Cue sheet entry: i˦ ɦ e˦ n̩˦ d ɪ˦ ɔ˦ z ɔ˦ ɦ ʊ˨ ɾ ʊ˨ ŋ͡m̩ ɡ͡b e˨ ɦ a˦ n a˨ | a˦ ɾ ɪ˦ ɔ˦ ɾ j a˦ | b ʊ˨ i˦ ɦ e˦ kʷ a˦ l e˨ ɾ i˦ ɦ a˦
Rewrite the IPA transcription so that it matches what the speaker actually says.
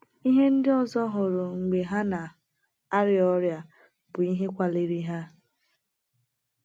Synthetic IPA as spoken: i˦ ɦ e˦ n̩˦ d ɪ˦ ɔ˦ z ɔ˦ ɦ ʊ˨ ɾ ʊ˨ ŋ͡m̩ ɡ͡b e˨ ɦ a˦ n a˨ | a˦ ɾ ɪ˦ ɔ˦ ɾ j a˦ | b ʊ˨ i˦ ɦ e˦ kʷ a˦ l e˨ ɾ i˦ ɦ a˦